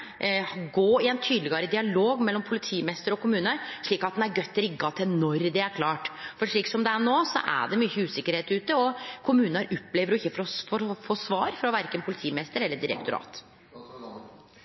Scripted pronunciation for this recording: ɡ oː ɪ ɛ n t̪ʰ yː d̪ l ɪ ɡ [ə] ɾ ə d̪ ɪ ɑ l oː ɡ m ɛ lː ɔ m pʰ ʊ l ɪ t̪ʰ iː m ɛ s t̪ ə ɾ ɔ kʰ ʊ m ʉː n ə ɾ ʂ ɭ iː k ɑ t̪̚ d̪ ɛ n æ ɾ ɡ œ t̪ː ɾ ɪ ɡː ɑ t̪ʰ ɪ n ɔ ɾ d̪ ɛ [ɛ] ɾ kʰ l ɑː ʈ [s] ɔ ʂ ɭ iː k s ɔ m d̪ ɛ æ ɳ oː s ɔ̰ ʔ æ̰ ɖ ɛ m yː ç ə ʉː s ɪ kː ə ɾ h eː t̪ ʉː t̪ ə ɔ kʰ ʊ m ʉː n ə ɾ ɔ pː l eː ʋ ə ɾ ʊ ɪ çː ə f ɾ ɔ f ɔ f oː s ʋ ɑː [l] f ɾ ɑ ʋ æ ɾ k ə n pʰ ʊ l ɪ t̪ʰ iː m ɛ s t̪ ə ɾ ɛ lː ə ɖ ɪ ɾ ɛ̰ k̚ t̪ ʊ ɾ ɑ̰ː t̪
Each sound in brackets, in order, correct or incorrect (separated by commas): incorrect, incorrect, incorrect, incorrect